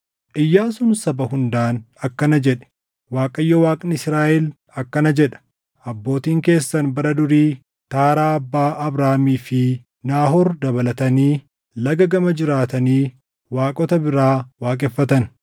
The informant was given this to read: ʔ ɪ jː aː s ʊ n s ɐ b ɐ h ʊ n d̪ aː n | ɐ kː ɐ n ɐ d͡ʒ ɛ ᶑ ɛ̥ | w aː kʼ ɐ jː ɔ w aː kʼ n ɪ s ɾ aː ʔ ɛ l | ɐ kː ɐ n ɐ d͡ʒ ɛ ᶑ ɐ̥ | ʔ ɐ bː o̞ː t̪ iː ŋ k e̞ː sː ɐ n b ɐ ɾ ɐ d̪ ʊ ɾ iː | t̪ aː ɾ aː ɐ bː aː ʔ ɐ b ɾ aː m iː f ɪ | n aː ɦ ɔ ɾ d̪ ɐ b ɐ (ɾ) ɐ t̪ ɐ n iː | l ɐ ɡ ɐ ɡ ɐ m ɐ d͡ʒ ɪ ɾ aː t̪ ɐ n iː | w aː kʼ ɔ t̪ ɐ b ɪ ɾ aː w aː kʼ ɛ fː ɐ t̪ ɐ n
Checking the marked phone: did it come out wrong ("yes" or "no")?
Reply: yes